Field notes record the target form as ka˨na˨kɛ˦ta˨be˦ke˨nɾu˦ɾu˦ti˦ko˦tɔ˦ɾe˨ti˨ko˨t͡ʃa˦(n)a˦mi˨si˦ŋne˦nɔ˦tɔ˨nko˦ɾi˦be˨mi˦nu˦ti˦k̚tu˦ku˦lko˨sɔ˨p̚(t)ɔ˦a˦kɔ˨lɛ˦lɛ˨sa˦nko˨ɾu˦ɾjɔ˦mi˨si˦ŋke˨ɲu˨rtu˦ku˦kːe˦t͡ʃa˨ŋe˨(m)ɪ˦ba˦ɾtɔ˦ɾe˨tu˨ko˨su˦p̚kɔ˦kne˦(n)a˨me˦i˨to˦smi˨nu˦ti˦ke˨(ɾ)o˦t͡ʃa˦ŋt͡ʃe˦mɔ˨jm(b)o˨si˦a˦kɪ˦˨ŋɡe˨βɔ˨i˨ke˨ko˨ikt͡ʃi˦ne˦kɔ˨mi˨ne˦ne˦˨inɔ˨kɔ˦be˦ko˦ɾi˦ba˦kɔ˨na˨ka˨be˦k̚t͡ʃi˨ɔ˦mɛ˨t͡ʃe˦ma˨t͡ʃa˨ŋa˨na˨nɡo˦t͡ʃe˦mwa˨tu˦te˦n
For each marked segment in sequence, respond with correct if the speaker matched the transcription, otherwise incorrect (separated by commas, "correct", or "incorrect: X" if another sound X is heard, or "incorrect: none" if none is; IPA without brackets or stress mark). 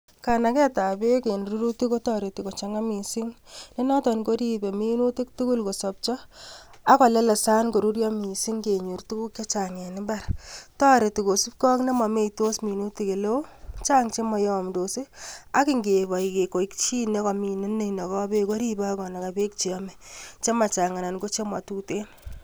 incorrect: ŋ, incorrect: t͡ʃ, incorrect: n, incorrect: m, incorrect: l, incorrect: d